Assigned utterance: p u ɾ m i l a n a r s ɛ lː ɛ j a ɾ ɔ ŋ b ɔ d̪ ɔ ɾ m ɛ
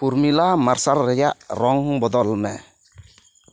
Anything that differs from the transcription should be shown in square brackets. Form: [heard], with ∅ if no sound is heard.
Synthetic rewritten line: p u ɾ m i l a [m] a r s [a] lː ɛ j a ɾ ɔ ŋ b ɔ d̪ ɔ [l] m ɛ